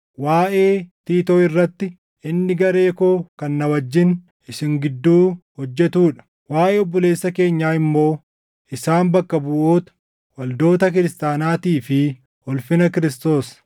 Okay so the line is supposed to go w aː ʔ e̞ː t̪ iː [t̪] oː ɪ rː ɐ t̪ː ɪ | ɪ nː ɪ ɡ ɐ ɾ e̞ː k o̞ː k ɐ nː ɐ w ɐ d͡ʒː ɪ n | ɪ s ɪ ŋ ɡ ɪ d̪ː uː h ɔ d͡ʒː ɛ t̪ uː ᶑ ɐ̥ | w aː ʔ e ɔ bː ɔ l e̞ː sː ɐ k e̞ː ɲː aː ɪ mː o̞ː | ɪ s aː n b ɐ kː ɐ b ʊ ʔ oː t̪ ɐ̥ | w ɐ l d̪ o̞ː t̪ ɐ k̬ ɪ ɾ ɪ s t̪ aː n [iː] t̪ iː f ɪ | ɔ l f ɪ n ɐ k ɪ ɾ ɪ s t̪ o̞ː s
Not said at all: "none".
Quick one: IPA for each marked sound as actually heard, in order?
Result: t̪, aː

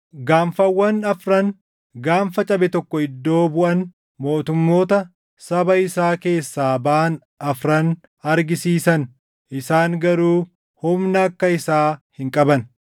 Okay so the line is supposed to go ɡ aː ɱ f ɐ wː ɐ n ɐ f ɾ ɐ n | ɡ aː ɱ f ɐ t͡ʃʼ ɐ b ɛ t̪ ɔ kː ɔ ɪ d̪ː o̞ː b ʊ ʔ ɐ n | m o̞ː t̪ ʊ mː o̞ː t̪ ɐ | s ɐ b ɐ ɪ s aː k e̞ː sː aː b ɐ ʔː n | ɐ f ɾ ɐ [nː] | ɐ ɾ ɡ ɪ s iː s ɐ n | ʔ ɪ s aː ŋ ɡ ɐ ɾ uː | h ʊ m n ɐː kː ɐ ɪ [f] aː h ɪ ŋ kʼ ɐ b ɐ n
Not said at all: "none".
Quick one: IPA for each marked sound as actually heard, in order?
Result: n, s

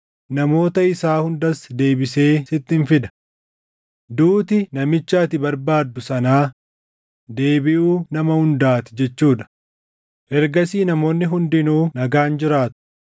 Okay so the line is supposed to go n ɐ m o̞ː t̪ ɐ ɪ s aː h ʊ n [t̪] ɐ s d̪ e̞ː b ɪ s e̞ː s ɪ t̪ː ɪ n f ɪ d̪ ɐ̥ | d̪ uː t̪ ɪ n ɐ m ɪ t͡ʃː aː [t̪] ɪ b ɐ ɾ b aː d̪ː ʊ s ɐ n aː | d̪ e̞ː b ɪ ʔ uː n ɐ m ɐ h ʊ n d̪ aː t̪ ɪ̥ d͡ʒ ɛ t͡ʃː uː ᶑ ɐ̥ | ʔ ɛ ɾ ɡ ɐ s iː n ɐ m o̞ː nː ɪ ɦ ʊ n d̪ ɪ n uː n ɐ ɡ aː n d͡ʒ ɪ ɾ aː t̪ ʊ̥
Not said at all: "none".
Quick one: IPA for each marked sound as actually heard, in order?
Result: d̪, t̪

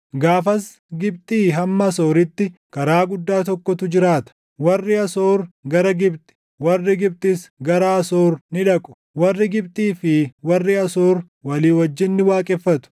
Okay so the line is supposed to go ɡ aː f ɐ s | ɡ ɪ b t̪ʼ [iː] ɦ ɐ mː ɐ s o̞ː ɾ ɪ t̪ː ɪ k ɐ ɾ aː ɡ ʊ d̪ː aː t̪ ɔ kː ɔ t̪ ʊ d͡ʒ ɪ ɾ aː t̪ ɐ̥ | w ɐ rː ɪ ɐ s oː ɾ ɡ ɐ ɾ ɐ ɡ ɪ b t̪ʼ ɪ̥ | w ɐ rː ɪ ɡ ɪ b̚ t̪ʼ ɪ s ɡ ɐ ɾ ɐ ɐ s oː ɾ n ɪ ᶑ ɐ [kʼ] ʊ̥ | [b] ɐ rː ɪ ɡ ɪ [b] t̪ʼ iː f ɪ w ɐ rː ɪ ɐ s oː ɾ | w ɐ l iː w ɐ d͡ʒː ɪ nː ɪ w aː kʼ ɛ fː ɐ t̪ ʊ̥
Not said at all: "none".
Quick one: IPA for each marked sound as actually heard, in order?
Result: iː, kʼ, w, b

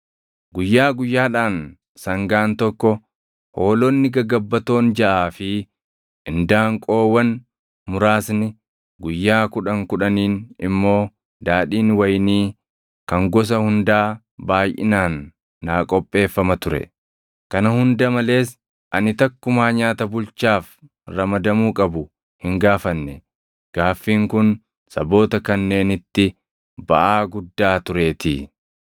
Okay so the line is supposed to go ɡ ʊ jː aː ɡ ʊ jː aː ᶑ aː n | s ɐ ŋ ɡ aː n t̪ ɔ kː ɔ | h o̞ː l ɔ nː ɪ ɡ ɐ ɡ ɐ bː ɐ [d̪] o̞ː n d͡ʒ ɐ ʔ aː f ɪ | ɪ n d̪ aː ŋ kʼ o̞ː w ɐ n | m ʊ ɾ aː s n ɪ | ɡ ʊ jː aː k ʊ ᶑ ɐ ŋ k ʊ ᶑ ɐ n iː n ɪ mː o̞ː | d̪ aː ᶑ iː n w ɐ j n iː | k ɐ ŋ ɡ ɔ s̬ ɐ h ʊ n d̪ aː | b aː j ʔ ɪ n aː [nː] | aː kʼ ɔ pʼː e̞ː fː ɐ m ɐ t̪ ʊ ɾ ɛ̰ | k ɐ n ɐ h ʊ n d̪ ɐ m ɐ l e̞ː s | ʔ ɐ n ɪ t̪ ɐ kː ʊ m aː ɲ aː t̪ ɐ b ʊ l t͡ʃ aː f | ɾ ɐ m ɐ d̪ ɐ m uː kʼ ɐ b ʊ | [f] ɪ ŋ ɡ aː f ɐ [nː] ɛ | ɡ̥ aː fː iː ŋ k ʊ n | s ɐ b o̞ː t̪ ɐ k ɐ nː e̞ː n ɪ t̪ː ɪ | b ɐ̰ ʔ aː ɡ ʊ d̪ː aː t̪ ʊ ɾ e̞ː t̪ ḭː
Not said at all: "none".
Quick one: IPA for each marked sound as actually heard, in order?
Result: t̪, nː, h, nː

